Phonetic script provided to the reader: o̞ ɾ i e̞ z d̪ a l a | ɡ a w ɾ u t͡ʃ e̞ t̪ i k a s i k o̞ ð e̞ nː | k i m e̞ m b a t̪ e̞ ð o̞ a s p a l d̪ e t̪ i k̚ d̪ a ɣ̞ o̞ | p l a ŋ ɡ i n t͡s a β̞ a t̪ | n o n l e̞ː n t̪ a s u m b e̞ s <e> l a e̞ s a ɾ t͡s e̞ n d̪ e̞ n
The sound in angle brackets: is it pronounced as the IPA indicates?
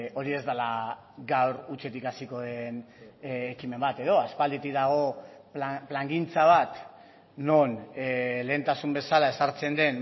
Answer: no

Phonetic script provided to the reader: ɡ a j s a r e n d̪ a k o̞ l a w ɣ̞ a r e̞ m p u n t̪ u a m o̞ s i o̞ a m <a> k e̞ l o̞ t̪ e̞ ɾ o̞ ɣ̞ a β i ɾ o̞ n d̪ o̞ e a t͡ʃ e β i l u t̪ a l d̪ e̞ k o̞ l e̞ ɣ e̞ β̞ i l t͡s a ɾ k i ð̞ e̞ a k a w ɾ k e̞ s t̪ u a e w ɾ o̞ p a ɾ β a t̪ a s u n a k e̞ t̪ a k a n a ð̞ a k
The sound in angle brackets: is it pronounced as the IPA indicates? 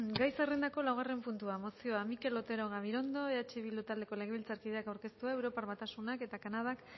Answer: no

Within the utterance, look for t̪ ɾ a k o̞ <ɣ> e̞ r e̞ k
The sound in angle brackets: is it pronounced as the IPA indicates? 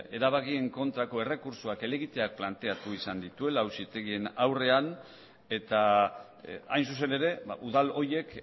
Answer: no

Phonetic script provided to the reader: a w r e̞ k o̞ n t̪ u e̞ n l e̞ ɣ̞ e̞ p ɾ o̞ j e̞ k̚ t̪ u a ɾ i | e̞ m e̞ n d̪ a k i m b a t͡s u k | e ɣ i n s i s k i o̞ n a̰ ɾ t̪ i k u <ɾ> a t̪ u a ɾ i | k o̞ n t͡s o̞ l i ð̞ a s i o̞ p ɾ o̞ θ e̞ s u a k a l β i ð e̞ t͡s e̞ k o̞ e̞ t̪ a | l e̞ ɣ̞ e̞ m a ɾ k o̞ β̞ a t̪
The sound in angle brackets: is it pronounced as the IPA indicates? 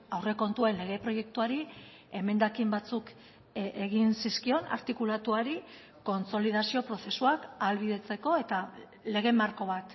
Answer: no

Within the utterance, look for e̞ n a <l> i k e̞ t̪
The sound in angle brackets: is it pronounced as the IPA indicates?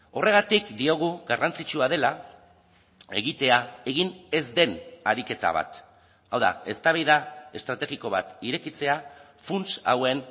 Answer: no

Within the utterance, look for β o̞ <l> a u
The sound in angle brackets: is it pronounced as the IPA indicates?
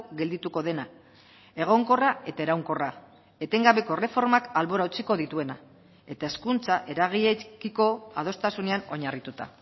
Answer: no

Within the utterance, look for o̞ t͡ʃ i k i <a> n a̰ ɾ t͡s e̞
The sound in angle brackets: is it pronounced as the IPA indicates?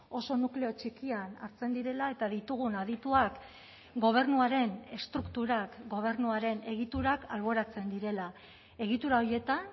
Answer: yes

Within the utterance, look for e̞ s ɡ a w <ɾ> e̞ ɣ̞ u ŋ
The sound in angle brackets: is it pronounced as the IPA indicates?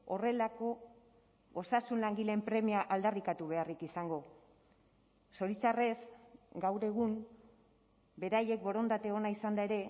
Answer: yes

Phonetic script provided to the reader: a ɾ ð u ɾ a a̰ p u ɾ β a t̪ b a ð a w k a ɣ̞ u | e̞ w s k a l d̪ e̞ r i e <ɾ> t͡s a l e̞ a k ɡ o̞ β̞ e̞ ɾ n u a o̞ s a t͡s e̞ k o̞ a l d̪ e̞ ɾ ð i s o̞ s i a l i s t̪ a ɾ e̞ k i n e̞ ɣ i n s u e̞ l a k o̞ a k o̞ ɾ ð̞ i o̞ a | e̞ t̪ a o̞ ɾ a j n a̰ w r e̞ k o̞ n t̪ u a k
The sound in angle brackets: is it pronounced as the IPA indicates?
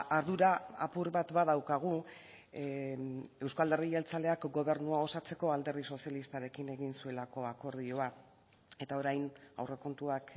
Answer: no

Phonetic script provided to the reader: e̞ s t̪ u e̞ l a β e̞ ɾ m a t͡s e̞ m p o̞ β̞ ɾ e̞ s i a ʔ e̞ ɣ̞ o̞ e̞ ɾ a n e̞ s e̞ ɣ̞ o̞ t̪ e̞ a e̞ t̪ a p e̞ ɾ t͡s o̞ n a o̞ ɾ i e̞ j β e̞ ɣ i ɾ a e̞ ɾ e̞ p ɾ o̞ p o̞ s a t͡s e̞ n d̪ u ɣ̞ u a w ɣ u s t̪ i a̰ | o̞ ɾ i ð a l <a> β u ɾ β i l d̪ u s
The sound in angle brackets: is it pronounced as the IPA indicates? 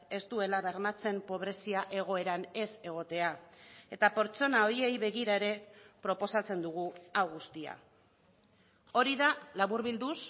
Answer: yes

